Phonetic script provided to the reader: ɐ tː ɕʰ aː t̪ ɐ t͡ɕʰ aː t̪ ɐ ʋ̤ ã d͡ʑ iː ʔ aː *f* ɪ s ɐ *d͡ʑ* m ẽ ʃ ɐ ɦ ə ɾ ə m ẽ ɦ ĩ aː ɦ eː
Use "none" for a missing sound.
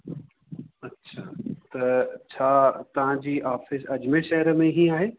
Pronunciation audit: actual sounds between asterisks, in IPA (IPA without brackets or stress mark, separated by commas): f, d͡ʑ